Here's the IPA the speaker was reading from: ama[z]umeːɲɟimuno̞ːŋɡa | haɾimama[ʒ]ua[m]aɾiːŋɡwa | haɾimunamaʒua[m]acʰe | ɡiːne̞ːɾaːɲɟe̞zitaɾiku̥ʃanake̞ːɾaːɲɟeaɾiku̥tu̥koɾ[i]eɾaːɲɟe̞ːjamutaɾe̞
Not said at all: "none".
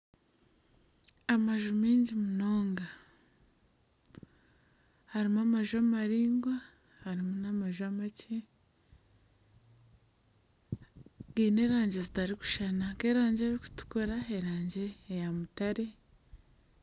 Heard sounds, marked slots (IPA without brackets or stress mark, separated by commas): ʒ, ʒ, m, m, a